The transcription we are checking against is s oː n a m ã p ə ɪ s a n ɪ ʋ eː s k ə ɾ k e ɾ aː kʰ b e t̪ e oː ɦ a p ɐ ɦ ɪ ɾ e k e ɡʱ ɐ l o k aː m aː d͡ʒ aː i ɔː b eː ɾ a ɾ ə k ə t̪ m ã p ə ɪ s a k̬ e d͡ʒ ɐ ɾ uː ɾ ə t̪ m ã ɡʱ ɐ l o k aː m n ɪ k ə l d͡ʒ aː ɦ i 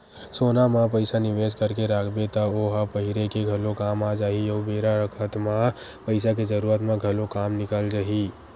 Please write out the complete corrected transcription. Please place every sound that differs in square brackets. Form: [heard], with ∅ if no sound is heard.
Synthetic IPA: s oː n a m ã p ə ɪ s a n ɪ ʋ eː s k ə ɾ k e ɾ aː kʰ b e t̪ [a] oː ɦ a p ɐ ɦ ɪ ɾ e k e ɡʱ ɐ l o k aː m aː d͡ʒ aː i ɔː b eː ɾ a ɾ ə [kʰ] ə t̪ m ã p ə ɪ s a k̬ e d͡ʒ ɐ ɾ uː ɾ ə t̪ m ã ɡʱ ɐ l o k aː m n ɪ k ə l d͡ʒ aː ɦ i